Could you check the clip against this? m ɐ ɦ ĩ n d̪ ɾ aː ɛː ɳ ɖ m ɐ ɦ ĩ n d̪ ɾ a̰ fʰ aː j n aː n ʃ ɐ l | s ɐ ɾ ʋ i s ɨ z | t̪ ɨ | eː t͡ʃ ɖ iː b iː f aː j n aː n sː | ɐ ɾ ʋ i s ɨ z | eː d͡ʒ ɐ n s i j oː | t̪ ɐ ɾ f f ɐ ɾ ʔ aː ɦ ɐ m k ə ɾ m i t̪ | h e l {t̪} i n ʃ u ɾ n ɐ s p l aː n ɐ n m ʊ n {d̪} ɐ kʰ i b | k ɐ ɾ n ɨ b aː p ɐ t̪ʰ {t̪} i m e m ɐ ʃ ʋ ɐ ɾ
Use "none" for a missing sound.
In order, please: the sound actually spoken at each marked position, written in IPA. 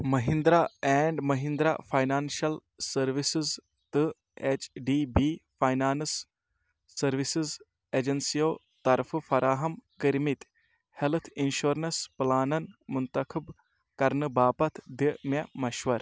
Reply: t̪ʰ, t̪, d̪

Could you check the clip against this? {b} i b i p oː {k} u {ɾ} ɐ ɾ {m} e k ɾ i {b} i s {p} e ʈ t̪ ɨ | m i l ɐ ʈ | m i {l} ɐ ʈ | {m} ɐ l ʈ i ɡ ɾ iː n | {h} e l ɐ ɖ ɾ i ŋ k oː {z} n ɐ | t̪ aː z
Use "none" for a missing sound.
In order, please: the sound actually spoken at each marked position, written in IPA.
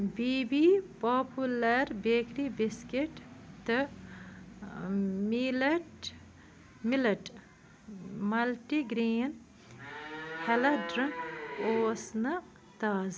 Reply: b, p, l, b, b, k, l, m, h, s

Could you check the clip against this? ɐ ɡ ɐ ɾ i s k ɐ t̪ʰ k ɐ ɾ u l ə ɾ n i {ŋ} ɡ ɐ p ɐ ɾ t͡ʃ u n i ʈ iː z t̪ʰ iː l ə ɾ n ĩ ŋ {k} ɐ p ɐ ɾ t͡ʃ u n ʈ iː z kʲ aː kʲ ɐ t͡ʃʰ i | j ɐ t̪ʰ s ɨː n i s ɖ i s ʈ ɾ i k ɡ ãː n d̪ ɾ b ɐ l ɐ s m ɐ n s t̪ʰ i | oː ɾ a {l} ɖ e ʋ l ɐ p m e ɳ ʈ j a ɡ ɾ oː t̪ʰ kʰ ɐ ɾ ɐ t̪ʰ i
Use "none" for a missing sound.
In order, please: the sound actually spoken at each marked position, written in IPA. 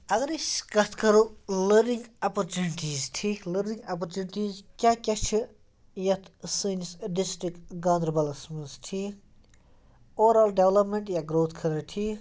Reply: ŋ, ɡ, l

